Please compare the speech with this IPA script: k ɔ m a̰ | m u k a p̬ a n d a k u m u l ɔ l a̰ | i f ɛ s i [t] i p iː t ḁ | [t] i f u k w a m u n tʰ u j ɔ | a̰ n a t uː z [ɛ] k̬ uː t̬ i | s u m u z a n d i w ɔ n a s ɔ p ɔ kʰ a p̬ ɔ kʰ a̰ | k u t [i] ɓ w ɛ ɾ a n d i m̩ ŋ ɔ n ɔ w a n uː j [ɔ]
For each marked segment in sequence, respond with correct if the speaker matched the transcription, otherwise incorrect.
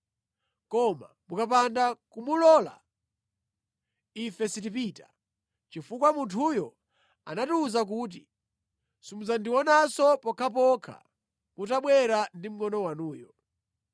correct, incorrect, incorrect, incorrect, correct

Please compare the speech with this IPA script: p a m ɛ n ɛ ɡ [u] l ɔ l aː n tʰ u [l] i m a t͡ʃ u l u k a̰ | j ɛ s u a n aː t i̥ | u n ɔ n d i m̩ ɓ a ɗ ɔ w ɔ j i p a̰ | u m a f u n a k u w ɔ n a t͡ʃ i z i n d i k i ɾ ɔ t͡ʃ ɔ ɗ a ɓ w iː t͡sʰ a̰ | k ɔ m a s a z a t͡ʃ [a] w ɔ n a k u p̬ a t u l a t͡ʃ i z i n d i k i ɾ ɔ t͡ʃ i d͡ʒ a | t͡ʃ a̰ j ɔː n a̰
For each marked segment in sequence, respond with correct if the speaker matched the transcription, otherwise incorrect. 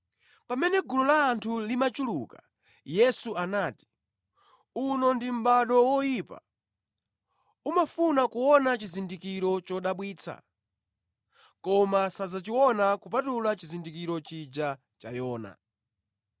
correct, correct, incorrect

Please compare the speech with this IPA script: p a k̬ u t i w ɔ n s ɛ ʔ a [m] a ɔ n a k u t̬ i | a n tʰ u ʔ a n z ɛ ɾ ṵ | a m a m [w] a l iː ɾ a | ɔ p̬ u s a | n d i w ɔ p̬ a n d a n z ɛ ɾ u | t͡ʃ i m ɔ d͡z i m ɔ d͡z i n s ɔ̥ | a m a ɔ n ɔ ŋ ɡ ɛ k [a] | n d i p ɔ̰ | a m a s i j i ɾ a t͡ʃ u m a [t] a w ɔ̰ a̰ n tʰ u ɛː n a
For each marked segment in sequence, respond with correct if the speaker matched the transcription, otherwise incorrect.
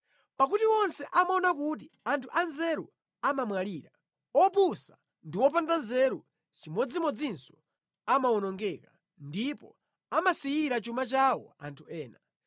correct, correct, correct, incorrect

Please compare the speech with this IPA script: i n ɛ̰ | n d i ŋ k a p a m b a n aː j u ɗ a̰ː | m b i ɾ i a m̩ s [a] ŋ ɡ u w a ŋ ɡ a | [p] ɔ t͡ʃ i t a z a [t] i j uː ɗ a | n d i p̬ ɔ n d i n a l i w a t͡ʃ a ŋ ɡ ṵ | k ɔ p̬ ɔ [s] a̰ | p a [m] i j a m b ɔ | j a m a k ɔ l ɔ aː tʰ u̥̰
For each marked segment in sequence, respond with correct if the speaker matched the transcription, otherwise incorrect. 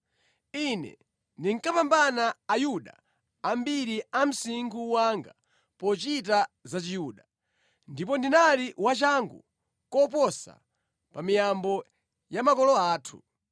incorrect, correct, incorrect, correct, correct

